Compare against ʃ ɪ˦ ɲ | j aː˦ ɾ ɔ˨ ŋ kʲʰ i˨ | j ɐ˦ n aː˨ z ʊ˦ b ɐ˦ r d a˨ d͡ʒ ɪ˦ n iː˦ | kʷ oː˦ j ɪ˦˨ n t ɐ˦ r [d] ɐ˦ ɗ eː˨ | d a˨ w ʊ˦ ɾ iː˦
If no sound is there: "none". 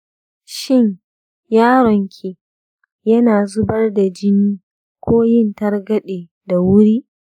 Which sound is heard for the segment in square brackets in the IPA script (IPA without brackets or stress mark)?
ɡ